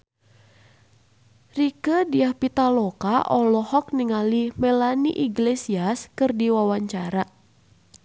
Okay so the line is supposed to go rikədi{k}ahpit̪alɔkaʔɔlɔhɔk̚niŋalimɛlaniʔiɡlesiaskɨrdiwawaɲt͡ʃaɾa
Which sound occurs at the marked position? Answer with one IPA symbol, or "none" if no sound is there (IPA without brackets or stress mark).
none